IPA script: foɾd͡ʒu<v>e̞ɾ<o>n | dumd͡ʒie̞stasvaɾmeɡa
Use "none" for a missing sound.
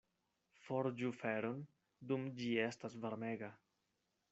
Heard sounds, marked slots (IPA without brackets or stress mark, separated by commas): f, o